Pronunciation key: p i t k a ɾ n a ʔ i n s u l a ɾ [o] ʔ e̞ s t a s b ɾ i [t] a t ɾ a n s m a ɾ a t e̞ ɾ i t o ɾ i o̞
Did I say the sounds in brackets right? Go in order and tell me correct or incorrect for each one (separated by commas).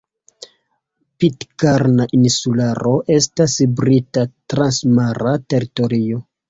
correct, correct